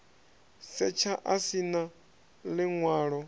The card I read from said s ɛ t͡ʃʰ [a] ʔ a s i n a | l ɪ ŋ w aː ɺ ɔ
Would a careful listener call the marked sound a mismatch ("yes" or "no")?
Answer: no